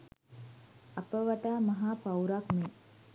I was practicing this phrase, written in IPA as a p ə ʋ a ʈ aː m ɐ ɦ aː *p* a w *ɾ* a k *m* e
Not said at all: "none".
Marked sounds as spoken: p, ɾ, m

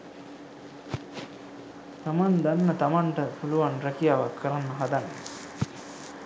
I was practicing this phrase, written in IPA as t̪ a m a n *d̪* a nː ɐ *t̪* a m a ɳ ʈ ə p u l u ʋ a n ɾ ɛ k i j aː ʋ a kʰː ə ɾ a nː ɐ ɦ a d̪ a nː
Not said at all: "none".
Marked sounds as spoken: d̪, t̪

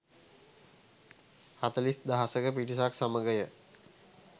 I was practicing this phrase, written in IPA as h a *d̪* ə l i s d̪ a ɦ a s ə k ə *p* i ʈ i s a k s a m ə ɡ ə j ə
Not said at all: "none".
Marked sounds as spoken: t̪, p

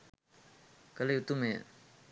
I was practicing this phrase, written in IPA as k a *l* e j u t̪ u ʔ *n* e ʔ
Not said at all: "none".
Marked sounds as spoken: l, m

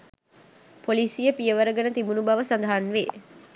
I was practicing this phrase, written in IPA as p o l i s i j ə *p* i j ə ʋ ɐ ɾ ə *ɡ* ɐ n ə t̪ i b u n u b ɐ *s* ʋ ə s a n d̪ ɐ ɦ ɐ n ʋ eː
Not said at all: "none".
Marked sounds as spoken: p, ɡ, none

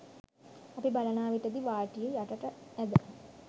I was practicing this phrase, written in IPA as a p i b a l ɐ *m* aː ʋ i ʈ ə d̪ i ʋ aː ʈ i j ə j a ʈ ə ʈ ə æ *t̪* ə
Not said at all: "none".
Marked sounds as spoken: n, d̪

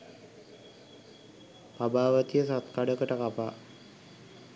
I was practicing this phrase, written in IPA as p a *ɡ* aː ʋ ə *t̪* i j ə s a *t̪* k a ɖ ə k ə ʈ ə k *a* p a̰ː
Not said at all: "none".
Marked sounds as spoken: b, t̪, t̪, a

